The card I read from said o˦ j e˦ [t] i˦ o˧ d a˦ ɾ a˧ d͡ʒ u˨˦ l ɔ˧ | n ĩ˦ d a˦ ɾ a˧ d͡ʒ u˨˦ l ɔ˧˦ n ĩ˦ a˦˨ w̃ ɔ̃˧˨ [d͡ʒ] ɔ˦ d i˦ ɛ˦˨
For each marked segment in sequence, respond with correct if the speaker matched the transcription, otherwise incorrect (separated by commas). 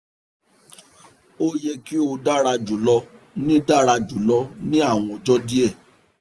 incorrect, correct